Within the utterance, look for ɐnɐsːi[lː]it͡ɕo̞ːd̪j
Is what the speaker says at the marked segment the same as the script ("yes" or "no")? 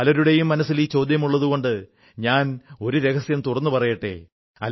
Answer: no